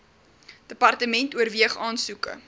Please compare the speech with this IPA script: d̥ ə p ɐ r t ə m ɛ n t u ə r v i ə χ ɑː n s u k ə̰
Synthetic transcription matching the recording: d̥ ə p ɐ r t ə m ɛ n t u ə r v i ə χ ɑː n s u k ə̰